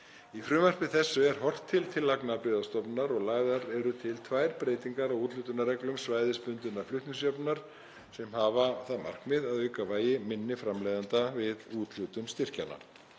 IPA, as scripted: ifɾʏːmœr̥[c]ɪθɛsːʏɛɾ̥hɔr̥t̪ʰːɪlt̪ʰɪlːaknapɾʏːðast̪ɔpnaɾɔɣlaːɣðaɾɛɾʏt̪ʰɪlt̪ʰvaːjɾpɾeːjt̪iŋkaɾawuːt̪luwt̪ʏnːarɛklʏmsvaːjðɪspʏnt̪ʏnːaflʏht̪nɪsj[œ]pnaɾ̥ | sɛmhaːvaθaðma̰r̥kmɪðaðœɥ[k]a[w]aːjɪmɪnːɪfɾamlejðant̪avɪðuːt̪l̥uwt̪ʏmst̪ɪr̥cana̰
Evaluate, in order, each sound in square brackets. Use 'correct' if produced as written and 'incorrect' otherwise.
incorrect, correct, correct, incorrect

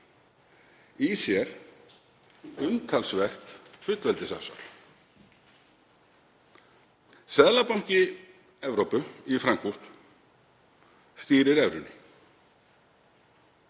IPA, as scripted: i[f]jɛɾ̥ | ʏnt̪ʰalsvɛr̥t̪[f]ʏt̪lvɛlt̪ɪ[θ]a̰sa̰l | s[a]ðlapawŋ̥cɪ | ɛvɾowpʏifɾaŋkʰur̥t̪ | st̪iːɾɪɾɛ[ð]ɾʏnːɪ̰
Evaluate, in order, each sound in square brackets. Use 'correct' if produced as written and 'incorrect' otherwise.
incorrect, correct, incorrect, incorrect, incorrect

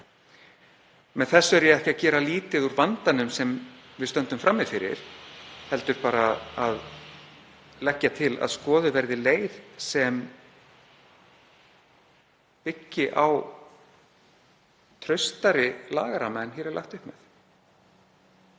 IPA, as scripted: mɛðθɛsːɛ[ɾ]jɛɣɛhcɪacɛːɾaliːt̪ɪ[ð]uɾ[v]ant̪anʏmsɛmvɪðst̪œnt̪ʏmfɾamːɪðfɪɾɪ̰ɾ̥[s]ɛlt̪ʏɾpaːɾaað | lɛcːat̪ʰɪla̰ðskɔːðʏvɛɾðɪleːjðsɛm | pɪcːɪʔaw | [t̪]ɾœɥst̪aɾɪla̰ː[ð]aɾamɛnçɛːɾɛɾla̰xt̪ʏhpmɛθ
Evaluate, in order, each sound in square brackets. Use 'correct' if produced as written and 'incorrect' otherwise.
correct, correct, correct, incorrect, incorrect, incorrect

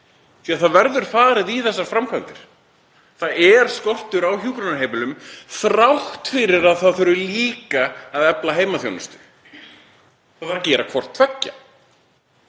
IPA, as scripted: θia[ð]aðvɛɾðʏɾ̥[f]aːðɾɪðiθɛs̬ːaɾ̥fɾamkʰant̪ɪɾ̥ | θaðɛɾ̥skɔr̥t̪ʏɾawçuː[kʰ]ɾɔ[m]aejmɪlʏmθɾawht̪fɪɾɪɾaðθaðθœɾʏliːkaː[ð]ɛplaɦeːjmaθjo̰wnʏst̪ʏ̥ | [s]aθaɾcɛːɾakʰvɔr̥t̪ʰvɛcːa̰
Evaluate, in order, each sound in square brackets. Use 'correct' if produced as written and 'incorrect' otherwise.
incorrect, correct, incorrect, incorrect, correct, incorrect

